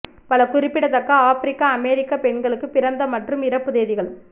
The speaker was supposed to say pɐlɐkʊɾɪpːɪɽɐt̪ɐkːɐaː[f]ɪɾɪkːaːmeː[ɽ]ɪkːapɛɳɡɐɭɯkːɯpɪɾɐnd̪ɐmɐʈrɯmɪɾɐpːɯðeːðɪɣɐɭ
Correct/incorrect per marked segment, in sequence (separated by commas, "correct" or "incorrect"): correct, incorrect